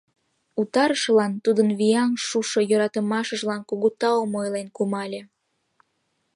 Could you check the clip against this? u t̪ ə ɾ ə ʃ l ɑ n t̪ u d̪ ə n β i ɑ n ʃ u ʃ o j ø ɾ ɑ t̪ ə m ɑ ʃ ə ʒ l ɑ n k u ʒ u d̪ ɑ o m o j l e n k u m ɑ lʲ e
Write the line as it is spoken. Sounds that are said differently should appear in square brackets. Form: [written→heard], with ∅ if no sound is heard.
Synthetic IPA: u t̪ [ə→ɑ] ɾ ə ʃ l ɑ n t̪ u d̪ ə n β i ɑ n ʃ u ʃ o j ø ɾ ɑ t̪ ə m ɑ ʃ ə ʒ l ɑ n k u [ʒ→ɣ] u [d̪→t̪] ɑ o m o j l e n k u m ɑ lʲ e